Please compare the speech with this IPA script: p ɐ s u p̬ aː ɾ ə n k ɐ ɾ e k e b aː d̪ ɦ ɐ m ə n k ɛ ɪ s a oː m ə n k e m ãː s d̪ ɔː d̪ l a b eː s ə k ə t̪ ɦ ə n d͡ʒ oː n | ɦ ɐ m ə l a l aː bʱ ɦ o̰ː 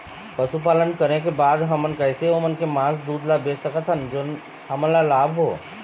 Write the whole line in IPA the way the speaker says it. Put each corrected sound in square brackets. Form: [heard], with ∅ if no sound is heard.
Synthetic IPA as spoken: p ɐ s u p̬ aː [l] ə n k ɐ ɾ e k e b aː d̪ ɦ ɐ m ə n k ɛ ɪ s [e] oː m ə n k e m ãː s d̪ [uː] d̪ l a b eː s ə k ə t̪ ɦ ə n d͡ʒ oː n | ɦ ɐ m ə l a l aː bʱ ɦ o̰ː